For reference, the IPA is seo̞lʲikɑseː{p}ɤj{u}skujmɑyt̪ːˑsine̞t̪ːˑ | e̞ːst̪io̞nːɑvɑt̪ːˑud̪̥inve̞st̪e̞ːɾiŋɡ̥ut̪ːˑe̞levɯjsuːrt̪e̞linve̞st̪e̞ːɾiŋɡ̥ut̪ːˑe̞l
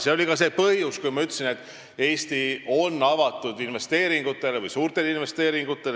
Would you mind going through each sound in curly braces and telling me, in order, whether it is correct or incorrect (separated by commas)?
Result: correct, correct